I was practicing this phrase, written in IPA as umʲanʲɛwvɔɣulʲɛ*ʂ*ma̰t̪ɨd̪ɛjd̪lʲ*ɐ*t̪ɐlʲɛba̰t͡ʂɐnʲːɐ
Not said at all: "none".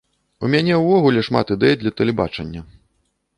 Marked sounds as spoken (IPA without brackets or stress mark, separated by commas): ʂ, ɐ